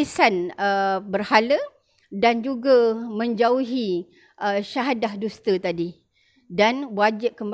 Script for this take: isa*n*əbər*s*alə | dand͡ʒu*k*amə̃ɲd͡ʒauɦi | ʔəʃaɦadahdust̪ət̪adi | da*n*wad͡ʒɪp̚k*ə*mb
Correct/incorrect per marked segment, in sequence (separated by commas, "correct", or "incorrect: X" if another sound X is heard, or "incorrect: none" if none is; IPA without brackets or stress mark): correct, incorrect: h, incorrect: ɡ, correct, correct